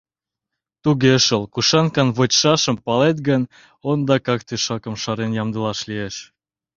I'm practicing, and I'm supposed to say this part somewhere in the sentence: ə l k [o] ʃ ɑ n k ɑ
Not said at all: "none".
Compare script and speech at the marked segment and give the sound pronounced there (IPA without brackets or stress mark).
u